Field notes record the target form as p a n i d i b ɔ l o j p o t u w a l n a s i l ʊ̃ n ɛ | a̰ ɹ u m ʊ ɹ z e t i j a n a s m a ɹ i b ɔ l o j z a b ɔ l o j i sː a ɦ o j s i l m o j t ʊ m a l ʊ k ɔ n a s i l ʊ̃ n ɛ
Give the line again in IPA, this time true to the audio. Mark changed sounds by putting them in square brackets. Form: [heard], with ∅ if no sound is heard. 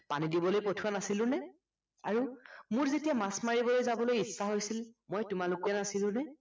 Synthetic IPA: p a n i d i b ɔ l o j p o [tʰ] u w a [∅] n a s i l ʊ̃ n ɛ | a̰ ɹ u m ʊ ɹ z e t i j a [m] a s m a ɹ i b ɔ l o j z a b ɔ l o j i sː a ɦ o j s i l m o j t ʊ m a l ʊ k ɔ n a s i l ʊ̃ n ɛ